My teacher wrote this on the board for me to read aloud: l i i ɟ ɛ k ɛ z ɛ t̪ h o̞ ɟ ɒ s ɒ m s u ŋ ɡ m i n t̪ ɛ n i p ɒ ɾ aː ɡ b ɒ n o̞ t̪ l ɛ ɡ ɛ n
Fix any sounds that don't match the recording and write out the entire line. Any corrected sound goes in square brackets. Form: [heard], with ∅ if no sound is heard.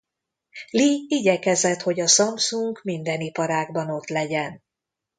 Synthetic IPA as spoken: l i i ɟ ɛ k ɛ z ɛ t̪ h o̞ ɟ ɒ s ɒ m s u ŋ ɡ m i n [d̪] ɛ n i p ɒ ɾ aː ɡ b ɒ n o̞ t̪ l ɛ [ɟ] ɛ n